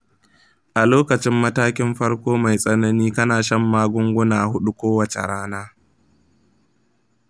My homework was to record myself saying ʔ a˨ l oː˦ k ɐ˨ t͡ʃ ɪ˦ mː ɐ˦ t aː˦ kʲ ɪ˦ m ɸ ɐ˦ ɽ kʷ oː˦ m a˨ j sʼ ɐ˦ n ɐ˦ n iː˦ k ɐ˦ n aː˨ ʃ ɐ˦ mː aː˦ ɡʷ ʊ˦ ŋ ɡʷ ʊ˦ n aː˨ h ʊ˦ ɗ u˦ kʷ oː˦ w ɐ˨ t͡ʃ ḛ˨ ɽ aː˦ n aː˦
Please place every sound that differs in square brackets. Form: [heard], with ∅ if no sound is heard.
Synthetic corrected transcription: ʔ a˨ l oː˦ k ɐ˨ t͡ʃ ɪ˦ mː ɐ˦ t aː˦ kʲ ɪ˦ m ɸ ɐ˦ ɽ kʷ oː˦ m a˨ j sʼ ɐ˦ n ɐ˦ n iː˦ k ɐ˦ n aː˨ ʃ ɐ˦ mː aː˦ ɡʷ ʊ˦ ŋ ɡʷ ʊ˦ n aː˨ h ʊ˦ ɗ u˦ kʷ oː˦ w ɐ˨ t͡ʃ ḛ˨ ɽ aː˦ n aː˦